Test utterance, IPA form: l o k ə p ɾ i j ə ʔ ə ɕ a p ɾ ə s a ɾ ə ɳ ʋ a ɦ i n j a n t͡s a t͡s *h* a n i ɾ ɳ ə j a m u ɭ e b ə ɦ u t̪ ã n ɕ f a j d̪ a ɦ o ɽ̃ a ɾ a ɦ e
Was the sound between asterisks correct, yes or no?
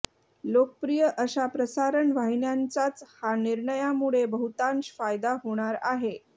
yes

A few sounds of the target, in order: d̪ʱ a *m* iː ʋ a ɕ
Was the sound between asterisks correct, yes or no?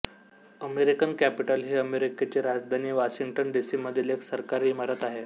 no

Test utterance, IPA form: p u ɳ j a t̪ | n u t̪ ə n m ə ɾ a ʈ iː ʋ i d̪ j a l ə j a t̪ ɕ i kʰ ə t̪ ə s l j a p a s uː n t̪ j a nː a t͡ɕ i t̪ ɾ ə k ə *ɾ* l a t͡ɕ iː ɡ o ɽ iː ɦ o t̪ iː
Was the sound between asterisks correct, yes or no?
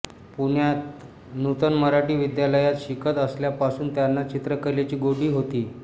yes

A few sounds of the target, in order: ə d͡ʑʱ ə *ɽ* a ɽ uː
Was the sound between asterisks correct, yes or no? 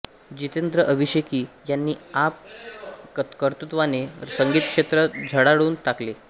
yes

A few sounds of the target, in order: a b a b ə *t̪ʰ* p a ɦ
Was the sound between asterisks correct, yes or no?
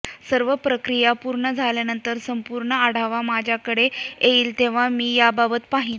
no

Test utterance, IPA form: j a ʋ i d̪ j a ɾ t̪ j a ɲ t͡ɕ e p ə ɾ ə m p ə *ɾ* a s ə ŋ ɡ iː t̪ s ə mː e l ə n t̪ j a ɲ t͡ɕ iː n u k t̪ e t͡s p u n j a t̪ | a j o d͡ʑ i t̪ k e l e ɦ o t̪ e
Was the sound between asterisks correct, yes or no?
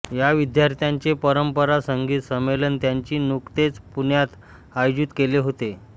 yes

